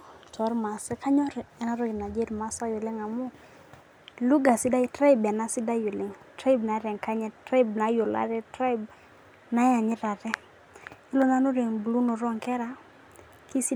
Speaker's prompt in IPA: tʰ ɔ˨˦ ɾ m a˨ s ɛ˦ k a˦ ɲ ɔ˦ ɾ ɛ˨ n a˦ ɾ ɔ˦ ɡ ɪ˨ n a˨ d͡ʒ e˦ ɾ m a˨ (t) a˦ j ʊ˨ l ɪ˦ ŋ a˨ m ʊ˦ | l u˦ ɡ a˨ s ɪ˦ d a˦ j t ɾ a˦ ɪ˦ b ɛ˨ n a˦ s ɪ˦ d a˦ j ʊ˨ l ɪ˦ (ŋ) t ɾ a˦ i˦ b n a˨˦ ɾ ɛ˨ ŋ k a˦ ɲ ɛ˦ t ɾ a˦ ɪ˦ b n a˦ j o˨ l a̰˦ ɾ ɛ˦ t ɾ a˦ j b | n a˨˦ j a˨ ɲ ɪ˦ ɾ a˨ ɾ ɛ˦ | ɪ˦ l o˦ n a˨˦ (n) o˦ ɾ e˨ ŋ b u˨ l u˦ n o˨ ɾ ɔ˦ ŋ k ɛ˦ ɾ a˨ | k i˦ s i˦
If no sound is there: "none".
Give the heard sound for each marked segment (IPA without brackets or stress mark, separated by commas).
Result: s, ŋ, n